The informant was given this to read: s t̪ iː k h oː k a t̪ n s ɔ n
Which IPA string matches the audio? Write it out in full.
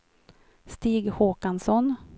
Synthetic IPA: s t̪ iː ɡ h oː k a n s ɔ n